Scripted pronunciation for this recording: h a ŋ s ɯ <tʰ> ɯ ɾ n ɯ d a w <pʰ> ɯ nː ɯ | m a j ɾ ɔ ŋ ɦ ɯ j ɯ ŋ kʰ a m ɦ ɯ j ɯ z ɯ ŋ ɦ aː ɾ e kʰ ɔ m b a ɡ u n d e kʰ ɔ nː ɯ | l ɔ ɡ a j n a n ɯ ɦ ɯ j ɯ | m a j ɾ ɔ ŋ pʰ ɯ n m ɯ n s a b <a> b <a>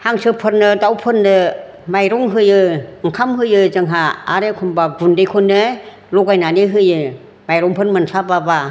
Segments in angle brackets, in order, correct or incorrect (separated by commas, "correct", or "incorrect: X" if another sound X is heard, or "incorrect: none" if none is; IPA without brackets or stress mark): incorrect: pʰ, correct, correct, correct